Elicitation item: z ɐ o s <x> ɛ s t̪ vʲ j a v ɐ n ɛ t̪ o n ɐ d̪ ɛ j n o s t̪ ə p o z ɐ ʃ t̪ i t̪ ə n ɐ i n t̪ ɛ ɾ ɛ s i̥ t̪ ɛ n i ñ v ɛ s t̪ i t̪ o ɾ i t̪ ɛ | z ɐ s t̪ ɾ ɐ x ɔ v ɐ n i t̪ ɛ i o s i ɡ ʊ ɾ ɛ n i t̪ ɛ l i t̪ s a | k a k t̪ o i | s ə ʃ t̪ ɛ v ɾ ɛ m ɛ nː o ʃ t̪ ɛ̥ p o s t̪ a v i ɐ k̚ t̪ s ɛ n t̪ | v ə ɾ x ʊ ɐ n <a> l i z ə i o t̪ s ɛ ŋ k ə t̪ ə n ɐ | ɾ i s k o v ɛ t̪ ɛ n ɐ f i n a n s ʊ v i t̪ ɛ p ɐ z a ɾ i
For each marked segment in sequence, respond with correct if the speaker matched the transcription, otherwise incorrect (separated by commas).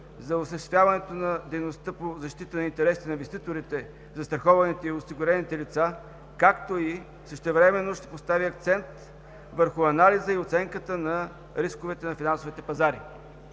incorrect, correct